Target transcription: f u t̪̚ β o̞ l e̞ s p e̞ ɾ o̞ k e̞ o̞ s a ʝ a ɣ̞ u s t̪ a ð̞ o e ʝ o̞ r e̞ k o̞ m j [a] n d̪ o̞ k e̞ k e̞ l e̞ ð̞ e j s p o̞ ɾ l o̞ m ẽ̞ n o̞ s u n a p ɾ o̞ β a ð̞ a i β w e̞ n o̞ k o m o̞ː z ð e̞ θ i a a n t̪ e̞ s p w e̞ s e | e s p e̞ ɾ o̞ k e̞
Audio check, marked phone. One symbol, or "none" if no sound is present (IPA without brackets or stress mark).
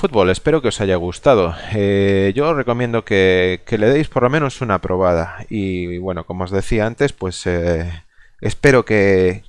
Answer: e